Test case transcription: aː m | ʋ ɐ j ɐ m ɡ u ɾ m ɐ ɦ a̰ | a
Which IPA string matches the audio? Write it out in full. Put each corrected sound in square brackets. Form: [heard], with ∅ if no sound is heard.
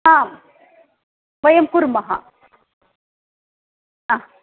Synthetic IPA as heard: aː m | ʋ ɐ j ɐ m [k] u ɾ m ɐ ɦ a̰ | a